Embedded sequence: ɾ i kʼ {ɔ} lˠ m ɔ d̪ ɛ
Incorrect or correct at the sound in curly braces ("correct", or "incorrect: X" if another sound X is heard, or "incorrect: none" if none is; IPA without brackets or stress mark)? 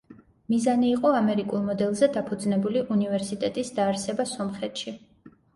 incorrect: u